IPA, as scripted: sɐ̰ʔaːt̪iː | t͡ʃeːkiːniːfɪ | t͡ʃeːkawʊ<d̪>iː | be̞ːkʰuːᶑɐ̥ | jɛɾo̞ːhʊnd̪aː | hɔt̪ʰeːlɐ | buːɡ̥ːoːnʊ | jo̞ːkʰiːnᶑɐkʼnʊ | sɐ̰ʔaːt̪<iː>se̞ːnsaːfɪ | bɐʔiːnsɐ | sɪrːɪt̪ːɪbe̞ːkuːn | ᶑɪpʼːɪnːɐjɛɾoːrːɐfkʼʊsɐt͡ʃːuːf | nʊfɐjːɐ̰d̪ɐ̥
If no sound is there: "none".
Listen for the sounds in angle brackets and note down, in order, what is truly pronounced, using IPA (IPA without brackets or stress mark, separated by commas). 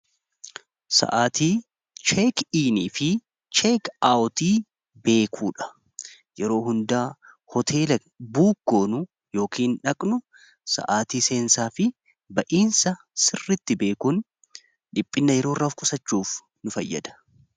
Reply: t̪, iː